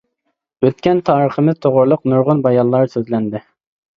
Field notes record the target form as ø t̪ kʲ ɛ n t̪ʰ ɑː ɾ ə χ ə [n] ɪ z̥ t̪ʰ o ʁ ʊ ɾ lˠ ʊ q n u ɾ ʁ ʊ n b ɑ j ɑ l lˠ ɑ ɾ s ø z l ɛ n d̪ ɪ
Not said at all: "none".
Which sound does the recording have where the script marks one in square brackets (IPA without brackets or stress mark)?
m